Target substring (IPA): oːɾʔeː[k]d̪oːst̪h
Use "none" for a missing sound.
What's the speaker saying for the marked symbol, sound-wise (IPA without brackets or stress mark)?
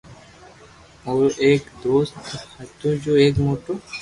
k